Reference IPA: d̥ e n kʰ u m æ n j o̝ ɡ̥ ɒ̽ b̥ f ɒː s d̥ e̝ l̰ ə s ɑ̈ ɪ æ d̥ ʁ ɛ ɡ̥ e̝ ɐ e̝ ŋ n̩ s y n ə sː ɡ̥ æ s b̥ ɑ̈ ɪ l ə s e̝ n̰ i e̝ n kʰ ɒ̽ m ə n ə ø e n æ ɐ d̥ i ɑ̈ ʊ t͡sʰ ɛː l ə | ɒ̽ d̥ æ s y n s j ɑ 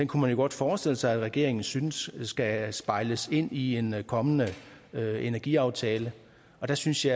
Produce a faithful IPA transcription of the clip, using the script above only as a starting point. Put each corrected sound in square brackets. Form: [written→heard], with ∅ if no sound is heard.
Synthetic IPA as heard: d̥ e n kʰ u m æ n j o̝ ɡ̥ ɒ̽ [b̥→d̥] f ɒː s d̥ e̝ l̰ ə s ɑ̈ ɪ æ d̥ ʁ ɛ ɡ̥ e̝ ɐ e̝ ŋ n̩ s y n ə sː ɡ̥ æ s b̥ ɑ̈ ɪ l ə s e̝ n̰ i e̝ n kʰ ɒ̽ m ə n ə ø e n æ ɐ [d̥→ɡ̥] i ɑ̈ ʊ t͡sʰ ɛː l ə | ɒ̽ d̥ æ s y n s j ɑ